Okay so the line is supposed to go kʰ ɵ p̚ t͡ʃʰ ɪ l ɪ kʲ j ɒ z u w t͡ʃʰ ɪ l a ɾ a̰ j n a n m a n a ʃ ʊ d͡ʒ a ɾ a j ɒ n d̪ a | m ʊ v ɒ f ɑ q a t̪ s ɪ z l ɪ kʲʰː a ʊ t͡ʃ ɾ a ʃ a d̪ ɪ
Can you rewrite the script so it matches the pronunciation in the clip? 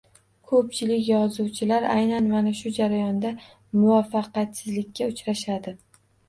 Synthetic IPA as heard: kʰ ɵ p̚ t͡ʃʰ ɪ l ɪ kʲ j ɒ z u w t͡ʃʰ ɪ l a ɾ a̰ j n a n m a n a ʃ ʊ d͡ʒ a ɾ a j ɒ n d̪ a | m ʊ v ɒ f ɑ q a t̪ s ɪ z l ɪ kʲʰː a ʊ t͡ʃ ɾ a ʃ a d̪ ɪ